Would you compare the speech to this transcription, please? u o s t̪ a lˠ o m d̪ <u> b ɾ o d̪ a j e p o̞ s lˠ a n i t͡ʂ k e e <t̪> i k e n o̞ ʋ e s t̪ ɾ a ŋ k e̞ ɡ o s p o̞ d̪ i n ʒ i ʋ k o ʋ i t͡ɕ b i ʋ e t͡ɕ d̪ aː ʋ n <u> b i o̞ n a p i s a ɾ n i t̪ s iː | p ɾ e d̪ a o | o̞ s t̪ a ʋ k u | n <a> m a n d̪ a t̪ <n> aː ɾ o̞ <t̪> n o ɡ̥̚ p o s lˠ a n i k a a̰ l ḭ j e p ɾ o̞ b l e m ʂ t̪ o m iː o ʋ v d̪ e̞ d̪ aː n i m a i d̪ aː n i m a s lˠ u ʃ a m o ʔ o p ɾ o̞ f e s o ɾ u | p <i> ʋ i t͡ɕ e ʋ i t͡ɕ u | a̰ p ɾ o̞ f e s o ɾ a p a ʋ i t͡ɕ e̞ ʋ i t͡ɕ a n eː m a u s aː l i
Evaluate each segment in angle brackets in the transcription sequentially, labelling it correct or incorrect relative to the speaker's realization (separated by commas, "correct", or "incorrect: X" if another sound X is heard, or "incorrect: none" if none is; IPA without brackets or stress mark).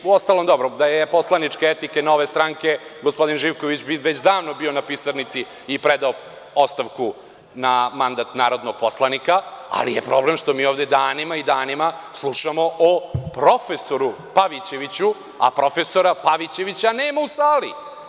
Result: incorrect: o, correct, incorrect: o, correct, correct, incorrect: d̪, incorrect: a